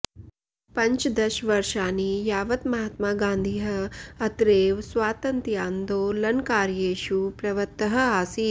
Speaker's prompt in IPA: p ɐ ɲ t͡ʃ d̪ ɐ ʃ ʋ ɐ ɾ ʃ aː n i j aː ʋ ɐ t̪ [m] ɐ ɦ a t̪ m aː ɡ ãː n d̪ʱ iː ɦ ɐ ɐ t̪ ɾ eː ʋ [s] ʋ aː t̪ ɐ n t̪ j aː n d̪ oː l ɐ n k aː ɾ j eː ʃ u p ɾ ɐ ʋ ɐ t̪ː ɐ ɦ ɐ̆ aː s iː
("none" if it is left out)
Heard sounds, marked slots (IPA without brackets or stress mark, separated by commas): m, s